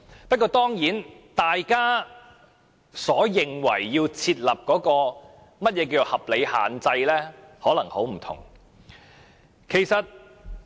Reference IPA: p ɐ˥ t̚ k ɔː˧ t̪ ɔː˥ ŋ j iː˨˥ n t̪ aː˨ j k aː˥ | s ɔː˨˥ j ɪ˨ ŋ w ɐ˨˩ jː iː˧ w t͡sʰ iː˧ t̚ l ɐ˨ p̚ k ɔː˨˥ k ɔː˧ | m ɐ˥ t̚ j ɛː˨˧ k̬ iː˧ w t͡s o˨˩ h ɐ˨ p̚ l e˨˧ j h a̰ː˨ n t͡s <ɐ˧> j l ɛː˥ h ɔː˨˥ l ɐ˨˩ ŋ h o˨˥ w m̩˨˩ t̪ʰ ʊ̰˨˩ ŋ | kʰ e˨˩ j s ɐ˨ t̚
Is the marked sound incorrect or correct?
correct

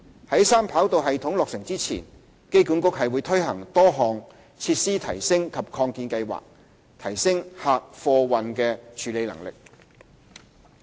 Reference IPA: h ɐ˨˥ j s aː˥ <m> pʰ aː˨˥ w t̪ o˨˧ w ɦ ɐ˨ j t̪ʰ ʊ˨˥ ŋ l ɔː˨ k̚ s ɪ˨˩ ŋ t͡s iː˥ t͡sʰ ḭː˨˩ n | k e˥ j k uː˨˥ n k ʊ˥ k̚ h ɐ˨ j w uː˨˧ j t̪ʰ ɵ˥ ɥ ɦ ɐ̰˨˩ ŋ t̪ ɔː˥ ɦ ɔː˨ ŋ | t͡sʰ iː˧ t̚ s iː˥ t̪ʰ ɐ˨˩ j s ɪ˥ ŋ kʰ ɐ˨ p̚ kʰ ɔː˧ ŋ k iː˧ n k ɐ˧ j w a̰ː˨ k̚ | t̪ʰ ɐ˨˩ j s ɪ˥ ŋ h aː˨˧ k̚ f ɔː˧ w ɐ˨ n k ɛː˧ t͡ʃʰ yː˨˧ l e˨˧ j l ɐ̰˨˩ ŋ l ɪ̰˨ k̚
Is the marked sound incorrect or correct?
correct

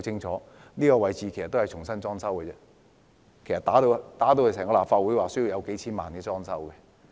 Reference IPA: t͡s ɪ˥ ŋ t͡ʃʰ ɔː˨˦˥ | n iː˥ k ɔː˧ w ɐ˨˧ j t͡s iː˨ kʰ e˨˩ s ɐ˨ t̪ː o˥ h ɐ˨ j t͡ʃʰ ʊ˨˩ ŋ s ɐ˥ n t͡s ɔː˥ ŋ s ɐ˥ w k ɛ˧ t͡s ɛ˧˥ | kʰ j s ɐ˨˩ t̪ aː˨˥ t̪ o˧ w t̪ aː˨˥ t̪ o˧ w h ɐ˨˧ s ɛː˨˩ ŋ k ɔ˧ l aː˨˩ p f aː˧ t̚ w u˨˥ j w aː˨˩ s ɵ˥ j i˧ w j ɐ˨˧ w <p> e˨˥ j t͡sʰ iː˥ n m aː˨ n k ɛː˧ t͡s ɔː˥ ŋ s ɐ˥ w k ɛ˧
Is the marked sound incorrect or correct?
incorrect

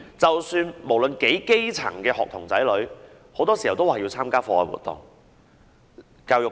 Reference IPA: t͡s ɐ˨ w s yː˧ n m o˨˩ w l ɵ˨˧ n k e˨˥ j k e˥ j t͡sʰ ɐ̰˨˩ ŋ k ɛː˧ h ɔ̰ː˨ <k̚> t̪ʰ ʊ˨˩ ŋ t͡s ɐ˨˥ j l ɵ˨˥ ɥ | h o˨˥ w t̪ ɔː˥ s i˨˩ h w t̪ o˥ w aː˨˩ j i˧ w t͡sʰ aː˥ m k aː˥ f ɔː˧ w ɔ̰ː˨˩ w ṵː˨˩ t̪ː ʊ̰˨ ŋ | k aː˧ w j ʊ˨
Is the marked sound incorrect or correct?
correct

